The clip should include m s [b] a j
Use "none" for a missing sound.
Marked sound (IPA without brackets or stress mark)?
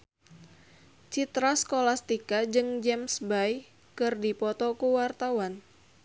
b